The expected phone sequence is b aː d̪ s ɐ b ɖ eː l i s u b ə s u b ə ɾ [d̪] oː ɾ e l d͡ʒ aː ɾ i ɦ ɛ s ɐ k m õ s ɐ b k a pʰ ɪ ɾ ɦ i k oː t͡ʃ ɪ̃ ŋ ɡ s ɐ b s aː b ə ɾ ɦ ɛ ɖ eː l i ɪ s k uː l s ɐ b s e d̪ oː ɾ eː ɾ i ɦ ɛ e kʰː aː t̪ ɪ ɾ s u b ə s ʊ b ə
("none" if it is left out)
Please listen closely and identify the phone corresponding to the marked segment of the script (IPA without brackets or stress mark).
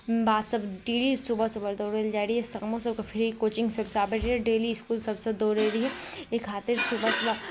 d̪